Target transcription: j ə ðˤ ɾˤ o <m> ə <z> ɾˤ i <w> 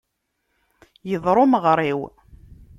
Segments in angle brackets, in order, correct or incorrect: correct, incorrect, correct

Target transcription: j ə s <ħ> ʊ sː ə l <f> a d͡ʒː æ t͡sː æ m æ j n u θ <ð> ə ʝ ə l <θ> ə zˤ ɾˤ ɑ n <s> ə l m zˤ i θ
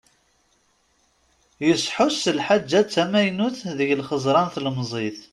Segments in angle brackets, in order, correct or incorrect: correct, incorrect, correct, incorrect, incorrect

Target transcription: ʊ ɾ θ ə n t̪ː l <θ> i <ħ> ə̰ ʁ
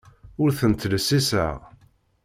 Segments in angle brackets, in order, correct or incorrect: incorrect, incorrect

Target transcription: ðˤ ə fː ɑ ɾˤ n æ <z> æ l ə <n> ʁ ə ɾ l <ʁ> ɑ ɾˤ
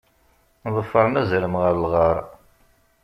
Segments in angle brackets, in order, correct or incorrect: correct, incorrect, correct

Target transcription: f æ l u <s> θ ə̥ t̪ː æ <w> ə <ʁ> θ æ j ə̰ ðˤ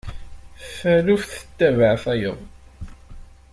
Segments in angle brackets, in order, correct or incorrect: incorrect, incorrect, incorrect

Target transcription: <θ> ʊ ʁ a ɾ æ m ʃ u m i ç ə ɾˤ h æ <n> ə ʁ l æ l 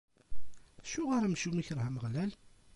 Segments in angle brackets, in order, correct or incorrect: incorrect, incorrect

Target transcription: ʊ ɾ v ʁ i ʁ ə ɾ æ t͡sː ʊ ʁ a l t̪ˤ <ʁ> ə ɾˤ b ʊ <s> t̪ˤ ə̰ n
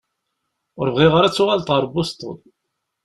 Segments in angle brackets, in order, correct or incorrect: correct, correct

